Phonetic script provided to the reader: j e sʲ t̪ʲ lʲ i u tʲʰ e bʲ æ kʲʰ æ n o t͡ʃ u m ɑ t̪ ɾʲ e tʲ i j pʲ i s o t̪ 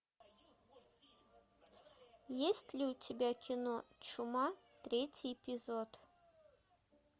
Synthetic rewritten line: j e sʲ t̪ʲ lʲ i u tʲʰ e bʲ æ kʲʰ i n o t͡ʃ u m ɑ t̪ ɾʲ e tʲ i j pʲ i z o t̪